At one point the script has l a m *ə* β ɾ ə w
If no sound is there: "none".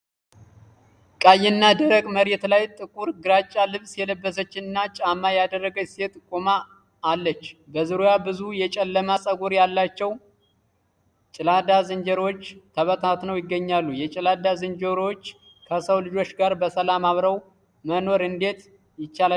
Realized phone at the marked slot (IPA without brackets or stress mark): a